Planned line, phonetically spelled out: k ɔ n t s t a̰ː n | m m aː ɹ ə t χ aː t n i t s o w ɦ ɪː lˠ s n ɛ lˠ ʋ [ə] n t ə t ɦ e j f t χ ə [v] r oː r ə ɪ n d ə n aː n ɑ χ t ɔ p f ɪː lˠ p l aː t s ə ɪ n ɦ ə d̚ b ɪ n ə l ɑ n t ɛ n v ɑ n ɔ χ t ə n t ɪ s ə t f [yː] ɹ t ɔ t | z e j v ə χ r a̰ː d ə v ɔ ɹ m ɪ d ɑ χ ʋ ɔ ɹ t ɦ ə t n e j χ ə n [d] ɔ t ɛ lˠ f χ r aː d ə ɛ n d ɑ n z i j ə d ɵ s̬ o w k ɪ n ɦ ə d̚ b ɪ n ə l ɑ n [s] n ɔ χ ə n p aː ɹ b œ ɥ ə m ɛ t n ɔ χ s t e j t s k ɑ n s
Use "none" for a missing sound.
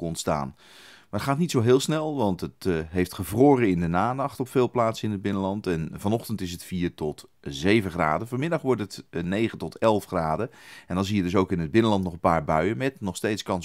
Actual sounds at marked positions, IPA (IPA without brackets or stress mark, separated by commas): ɑ, v, iː, t, t